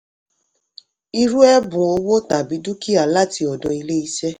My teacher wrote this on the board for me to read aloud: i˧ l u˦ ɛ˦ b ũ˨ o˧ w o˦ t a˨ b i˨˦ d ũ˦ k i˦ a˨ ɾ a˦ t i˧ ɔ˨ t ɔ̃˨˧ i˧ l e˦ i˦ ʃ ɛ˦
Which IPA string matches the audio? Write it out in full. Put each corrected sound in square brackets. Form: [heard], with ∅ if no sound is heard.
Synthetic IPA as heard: i˧ [ɾ] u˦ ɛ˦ b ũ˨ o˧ w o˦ t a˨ b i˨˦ d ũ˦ k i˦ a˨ [l] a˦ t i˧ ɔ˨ [d] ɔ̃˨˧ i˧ l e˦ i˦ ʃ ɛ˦